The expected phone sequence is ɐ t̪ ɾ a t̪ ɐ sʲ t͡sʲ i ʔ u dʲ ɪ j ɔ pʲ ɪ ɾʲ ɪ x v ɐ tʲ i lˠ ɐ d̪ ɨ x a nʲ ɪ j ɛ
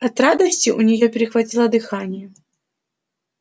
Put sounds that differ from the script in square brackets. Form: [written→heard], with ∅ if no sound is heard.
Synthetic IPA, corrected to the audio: ɐ t̪ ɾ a [t̪→d̪] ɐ sʲ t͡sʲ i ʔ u [dʲ→nʲ] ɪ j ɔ pʲ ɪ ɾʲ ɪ x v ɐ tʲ i lˠ ɐ d̪ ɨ x a nʲ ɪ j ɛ

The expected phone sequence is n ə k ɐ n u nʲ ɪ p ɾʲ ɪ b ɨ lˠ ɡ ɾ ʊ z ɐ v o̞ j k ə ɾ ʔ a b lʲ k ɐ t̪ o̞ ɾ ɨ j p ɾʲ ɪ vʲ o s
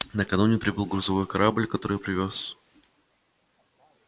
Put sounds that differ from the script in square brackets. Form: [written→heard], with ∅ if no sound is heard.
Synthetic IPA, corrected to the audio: n ə k ɐ n u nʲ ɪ p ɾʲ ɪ b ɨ lˠ ɡ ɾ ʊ z ɐ v o̞ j k [ə→ɐ] ɾ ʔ a b lʲ k ɐ t̪ o̞ ɾ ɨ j p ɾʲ ɪ vʲ o s

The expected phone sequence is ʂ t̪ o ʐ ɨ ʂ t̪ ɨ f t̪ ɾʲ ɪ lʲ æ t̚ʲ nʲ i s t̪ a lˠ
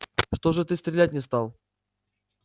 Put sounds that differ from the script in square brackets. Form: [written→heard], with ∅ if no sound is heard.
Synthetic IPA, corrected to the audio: ʂ t̪ o ʐ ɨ [ʂ→∅] t̪ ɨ [f→s] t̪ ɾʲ ɪ lʲ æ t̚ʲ nʲ [i→ɪ] s t̪ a lˠ

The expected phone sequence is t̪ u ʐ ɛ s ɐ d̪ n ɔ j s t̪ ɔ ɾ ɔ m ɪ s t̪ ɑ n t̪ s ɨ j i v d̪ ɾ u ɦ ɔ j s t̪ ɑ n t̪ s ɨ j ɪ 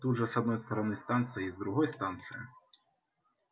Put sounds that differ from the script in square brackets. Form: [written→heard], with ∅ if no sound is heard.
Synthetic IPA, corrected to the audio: t̪ u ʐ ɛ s ɐ d̪ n ɔ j s t̪ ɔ ɾ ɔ [m→n] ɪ s t̪ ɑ n t̪ s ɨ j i [v→z] d̪ ɾ u ɦ ɔ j s t̪ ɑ n t̪ s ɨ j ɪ

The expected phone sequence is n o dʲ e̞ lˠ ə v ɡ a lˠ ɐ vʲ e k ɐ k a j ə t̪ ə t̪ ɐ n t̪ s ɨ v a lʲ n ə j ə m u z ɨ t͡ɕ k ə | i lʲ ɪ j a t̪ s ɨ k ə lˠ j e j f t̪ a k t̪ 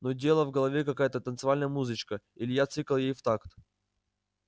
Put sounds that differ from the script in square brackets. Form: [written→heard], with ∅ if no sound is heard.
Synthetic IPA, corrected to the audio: n o dʲ e̞ lˠ ə v ɡ [a→ə] lˠ ɐ vʲ e k ɐ k a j ə t̪ ə t̪ [ɐ→ə] n t̪ s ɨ v a lʲ n ə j ə m u z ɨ t͡ɕ k ə | i lʲ ɪ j a t̪ s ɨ k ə lˠ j e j f t̪ a k t̪

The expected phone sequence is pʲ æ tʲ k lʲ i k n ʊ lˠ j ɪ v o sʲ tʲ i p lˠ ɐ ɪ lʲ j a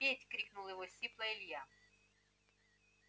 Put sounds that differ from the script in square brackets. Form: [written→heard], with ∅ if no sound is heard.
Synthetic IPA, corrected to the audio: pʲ [æ→e] tʲ k [lʲ→ɾʲ] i k n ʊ lˠ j ɪ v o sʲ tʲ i p lˠ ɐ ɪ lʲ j a

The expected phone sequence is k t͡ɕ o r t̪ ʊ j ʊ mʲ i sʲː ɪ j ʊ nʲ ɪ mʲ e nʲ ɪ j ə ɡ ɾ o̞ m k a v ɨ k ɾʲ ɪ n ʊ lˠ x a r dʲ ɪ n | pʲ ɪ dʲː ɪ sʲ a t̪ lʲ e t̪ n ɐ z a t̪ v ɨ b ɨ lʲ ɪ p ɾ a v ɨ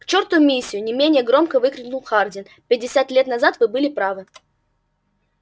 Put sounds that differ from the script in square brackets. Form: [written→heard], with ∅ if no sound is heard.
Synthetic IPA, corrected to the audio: k t͡ɕ o r t̪ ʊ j ʊ mʲ i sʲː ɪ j ʊ nʲ ɪ mʲ e nʲ ɪ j ə ɡ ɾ o̞ m k [a→ə] v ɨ k ɾʲ ɪ n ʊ lˠ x a r dʲ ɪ n | pʲ ɪ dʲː ɪ sʲ a t̪ lʲ e t̪ n ɐ z a t̪ v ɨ b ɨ lʲ ɪ p ɾ a v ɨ

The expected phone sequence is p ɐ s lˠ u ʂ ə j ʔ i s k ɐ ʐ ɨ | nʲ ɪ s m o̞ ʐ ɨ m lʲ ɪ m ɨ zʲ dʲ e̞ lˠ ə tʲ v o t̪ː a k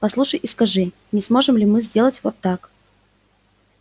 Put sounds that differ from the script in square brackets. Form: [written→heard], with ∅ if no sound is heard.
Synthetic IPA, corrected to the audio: p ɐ s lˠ u ʂ ə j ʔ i s k ɐ ʐ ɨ | nʲ ɪ s m o̞ ʐ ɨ m lʲ ɪ m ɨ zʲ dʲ e̞ lˠ ə tʲ v o t̪ː a k

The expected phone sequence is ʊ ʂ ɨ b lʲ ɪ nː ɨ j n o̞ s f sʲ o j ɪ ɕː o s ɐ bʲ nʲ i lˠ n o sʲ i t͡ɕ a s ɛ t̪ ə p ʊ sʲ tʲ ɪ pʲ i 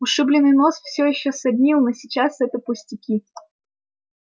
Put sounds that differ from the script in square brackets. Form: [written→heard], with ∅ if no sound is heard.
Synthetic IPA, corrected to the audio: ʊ ʂ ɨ b lʲ ɪ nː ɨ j n o̞ s f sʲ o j ɪ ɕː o s ɐ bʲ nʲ i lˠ n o sʲ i t͡ɕ a s ɛ t̪ ə p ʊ sʲ tʲ ɪ [pʲ→kʲ] i

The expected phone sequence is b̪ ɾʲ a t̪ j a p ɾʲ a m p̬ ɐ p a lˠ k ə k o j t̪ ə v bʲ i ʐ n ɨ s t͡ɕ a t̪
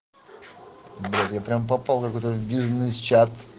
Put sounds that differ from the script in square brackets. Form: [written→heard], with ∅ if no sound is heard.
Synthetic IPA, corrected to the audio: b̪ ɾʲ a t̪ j a p ɾʲ a m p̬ ɐ p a lˠ k [ə→ɐ] k o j t̪ ə v bʲ i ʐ n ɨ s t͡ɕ a t̪

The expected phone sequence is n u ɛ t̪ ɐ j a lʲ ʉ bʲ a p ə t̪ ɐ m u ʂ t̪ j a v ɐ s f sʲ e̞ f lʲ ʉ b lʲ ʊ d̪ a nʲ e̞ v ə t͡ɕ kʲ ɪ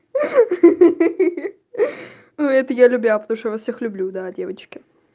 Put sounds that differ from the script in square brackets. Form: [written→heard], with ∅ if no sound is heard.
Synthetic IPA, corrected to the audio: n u ɛ t̪ [ɐ→ə] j a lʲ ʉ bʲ a p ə t̪ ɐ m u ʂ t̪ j a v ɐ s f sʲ e̞ [f→x] lʲ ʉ b lʲ [ʊ→u] d̪ a [nʲ→dʲ] e̞ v ə t͡ɕ kʲ ɪ

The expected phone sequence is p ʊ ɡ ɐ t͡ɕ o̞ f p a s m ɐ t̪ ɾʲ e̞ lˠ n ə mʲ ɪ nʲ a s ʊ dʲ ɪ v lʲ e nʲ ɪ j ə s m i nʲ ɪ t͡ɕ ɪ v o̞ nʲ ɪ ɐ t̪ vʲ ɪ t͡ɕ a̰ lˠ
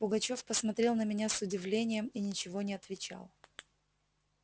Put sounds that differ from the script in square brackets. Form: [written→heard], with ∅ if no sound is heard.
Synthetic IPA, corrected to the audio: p ʊ ɡ ɐ t͡ɕ o̞ f p [a→ə] s m ɐ t̪ ɾʲ e̞ lˠ n ə mʲ ɪ nʲ a s ʊ dʲ ɪ v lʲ e nʲ ɪ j ə [s→∅] m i nʲ ɪ t͡ɕ ɪ v o̞ nʲ ɪ ɐ t̪ vʲ ɪ t͡ɕ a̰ lˠ

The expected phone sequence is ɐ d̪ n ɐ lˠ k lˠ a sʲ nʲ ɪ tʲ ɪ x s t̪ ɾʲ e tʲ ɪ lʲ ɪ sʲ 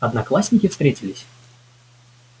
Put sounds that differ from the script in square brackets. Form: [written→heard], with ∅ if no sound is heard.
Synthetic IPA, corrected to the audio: ɐ d̪ n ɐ [lˠ→∅] k lˠ a sʲ nʲ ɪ [tʲ→kʲ] ɪ [x→f] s t̪ ɾʲ e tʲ ɪ lʲ ɪ sʲ

